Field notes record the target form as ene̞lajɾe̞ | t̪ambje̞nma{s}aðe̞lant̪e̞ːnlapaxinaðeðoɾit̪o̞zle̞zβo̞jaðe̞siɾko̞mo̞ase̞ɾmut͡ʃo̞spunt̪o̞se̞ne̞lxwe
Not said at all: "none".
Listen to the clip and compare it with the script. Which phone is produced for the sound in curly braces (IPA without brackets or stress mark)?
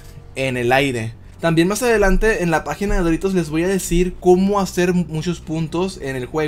s